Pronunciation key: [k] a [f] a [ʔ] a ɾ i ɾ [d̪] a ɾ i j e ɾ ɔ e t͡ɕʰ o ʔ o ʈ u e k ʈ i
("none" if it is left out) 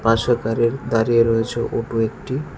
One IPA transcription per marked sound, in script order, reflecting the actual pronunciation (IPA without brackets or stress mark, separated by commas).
p, ʃ, k, d̪